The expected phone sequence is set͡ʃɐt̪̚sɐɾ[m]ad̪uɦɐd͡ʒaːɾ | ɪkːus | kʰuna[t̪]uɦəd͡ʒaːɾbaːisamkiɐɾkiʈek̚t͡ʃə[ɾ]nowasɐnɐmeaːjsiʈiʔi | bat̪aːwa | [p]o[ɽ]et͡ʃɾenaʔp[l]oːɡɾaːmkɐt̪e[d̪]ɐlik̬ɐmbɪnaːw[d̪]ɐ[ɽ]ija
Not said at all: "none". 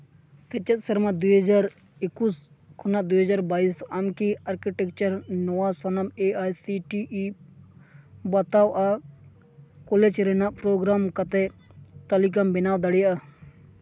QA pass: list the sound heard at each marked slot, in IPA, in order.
m, d̪, ɾ, k, l, ɾ, t̪, d̪, ɽ

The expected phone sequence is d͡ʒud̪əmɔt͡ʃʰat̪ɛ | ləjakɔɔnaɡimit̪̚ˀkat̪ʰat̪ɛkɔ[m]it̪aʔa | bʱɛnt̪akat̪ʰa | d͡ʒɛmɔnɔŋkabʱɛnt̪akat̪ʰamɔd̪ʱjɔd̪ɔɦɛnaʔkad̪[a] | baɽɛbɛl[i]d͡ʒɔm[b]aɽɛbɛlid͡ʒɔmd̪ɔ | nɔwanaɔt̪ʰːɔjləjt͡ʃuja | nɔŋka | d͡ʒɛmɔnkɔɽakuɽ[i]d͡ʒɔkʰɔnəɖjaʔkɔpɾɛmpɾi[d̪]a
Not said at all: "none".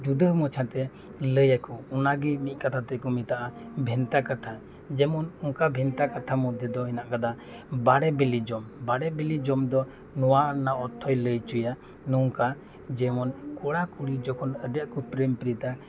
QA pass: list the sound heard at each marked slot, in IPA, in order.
m, a, i, b, i, t̪

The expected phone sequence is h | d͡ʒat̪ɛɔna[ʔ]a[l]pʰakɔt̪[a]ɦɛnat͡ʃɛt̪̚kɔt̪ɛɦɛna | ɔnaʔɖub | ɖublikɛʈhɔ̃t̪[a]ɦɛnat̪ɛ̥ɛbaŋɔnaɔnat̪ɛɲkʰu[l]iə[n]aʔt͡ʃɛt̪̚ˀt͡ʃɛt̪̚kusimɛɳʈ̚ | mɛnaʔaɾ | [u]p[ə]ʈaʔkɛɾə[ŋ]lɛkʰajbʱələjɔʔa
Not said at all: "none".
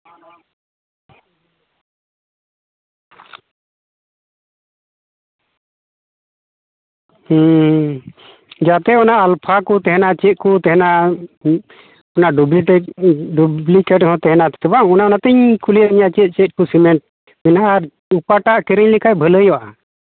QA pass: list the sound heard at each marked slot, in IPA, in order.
ʔ, l, ɛ, ɛ, l, ɲ, u, a, ɲ

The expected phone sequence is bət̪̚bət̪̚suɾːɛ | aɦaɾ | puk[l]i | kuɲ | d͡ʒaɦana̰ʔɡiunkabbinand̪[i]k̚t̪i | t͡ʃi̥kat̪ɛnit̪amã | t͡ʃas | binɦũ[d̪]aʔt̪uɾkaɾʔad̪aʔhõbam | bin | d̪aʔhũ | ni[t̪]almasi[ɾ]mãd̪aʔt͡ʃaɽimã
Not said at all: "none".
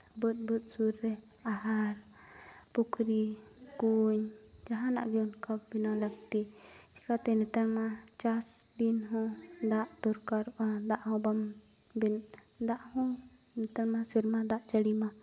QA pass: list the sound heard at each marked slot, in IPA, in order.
ɾ, a, d̪, t̪, ɾ

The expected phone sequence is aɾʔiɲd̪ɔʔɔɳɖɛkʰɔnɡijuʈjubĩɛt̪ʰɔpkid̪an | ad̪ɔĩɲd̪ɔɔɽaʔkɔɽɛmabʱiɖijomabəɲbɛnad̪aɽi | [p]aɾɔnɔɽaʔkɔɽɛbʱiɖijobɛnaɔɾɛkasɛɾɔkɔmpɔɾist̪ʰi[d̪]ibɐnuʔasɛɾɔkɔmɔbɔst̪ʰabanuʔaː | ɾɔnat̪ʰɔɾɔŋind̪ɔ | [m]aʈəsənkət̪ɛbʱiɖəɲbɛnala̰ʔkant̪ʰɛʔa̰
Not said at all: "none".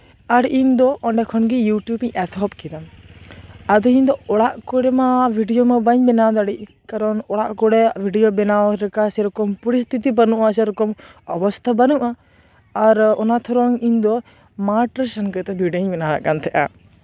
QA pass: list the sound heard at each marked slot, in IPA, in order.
k, t̪, m

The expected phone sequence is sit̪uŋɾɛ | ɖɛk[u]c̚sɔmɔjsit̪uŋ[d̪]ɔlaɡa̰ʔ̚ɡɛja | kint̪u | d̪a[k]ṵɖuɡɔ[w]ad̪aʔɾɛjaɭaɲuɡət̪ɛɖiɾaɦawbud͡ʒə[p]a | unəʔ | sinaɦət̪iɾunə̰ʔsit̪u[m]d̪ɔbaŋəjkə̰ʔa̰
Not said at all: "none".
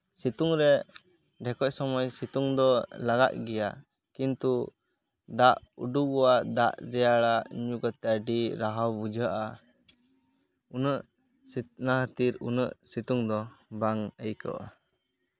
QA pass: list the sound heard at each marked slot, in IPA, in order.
ɔ, d̪, ʔ, w, ʔ, ŋ

